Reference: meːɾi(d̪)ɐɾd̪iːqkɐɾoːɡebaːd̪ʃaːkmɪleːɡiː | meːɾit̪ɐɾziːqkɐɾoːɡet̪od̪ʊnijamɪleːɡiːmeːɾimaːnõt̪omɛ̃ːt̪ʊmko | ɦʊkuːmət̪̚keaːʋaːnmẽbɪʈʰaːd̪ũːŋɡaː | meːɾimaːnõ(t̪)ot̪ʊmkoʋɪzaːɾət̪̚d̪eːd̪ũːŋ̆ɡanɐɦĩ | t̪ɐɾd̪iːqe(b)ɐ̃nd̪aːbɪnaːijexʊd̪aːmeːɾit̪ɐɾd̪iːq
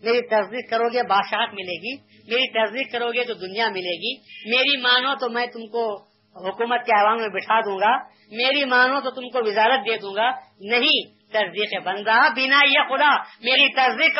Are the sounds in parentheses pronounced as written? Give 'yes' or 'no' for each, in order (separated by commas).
no, yes, yes